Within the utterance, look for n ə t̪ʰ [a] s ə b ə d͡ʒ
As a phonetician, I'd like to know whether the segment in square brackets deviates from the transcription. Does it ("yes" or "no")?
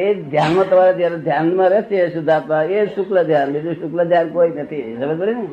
yes